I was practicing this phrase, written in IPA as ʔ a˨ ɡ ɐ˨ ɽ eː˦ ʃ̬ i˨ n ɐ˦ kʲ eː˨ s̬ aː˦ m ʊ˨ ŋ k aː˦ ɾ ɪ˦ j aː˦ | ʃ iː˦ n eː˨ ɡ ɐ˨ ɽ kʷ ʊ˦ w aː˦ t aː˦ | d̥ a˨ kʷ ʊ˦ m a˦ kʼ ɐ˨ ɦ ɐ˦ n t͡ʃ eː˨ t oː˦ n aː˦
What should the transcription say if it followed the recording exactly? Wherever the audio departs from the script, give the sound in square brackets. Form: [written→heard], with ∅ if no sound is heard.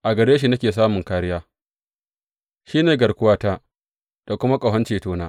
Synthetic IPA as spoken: ʔ a˨ ɡ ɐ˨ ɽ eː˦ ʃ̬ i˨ n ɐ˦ kʲ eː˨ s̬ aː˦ m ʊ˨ ŋ k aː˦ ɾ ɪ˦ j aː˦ | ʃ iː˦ n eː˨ ɡ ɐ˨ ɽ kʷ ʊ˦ w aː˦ t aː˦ | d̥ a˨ kʷ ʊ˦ m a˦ kʼ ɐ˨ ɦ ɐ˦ n t͡ʃ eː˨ t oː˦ n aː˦